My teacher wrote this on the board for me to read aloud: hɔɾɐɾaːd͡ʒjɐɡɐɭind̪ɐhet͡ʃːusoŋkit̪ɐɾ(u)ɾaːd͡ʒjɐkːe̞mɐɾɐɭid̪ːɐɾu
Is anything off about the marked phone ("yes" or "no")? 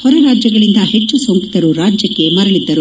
no